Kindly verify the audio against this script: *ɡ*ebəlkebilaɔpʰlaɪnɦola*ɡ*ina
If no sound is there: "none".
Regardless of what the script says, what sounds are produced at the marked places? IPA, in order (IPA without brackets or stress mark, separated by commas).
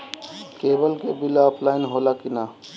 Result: k, k